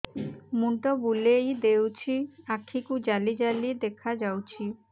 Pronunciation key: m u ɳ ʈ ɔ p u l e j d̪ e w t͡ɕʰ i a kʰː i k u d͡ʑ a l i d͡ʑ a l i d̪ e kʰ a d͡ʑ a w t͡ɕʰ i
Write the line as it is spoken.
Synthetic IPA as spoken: m u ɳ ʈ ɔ b u l e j d̪ e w t͡ɕʰ i a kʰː i k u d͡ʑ a l i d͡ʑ a l i d̪ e kʰ a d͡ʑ a w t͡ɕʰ i